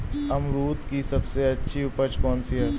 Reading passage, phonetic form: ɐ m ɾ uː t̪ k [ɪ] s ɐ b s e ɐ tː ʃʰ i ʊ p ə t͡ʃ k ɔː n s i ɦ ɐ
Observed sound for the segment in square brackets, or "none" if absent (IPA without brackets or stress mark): i